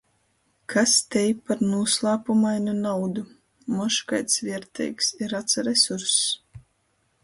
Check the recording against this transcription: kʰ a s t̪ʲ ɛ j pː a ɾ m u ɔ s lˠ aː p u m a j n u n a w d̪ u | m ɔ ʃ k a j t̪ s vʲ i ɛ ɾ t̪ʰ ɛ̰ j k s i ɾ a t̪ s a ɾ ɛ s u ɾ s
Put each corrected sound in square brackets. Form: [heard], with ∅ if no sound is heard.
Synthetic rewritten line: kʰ a s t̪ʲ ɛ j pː a ɾ [n] u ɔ s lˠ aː p u m a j n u n a w d̪ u | m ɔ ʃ k a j t̪ s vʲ i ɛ ɾ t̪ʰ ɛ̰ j k s i ɾ a t̪ s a ɾ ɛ s u ɾ s